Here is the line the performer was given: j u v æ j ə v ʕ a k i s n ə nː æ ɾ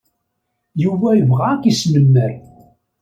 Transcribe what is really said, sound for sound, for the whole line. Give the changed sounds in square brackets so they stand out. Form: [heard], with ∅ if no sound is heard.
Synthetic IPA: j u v æ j ə v [ʁ] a k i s [m] ə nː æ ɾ